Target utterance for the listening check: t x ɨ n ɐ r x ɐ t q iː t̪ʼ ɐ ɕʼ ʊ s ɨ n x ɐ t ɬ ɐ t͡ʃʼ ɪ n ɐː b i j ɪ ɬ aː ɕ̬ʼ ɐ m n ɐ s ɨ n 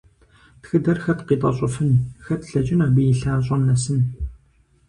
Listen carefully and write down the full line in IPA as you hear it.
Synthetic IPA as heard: t x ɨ d ɐ r x ɐ t q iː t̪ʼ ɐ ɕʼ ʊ f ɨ n x ɐ t ɬ ɐ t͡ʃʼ ɪ n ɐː b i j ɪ ɬ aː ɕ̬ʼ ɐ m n ɐ s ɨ n